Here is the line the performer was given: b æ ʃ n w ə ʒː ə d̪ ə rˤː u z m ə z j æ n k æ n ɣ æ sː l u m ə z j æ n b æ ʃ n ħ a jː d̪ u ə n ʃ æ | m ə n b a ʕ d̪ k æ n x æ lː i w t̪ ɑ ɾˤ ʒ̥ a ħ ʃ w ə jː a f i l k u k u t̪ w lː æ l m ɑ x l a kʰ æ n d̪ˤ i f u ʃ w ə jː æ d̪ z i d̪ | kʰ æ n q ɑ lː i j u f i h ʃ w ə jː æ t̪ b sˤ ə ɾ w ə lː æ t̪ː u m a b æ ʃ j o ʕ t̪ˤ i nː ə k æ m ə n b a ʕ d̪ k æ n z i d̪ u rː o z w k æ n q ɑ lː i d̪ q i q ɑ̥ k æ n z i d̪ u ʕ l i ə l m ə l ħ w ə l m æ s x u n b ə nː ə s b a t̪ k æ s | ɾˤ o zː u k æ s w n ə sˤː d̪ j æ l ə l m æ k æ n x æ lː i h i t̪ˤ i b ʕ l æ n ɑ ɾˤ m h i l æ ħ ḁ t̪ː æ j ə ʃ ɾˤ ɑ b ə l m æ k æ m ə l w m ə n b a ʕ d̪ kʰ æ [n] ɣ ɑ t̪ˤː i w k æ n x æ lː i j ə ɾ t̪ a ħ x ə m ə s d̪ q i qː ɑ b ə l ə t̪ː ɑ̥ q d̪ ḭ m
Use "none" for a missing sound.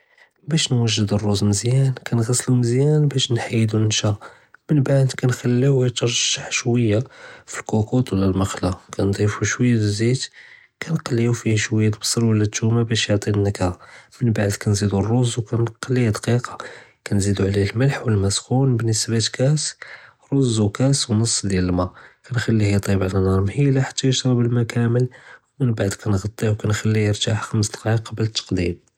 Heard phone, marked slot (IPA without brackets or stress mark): n